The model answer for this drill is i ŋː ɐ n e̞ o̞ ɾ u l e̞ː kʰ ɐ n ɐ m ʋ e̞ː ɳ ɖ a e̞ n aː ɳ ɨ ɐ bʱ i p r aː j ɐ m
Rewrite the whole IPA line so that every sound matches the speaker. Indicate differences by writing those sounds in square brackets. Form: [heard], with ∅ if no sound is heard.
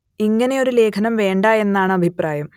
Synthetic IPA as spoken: i ŋː ɐ n e̞ o̞ ɾ u l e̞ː kʰ ɐ n ɐ m ʋ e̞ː ɳ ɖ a e̞ [nː] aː ɳ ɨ ɐ bʱ i p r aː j ɐ m